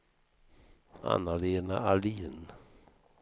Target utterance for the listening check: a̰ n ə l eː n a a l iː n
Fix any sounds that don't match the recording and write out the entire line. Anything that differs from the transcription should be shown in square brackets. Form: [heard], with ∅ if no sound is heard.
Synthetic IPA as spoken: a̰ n [a] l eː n a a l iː n